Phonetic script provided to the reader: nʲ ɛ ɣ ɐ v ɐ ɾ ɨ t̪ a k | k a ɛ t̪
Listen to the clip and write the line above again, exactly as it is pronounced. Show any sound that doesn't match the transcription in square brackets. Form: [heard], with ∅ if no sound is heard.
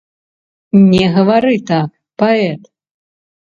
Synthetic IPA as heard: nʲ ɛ ɣ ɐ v [a] ɾ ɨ t̪ a k | [p] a ɛ t̪